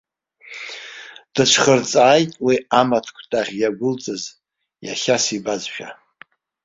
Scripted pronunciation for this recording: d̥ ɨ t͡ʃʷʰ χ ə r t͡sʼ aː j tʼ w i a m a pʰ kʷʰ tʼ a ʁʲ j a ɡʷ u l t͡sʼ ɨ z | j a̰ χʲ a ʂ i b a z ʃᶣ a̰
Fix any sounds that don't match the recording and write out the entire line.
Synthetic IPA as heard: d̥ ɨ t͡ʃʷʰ χ ə r t͡sʼ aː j tʼ w i a m a tʰ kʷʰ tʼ a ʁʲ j a ɡʷ ʊ l t͡sʼ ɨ z | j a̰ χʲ a s i b a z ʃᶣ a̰